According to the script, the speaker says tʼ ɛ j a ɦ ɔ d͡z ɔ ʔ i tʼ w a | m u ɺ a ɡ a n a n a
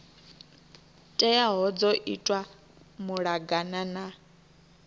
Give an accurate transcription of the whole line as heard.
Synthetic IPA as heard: tʼ ɛ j a ɦ ɔ d͡z ɔ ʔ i tʼ w a | m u ɺ a ɡ a n a n a